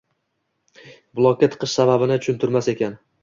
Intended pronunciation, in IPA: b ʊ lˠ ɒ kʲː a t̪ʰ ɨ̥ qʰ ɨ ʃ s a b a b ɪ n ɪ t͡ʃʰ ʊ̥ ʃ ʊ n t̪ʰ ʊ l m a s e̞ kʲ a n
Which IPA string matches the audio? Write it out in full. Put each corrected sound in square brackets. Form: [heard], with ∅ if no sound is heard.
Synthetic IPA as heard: b ʊ lˠ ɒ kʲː a t̪ʰ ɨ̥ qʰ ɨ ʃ s a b a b ɪ n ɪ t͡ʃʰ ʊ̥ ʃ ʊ n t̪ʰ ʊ [ɾ] m a s e̞ kʲ a n